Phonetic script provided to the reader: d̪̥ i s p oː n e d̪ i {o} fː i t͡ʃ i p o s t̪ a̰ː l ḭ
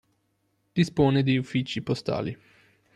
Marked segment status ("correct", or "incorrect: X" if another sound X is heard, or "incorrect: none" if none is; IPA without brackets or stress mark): incorrect: u